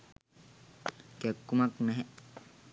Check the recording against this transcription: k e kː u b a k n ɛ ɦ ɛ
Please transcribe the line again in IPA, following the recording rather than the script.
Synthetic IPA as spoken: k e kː u m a k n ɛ ɦ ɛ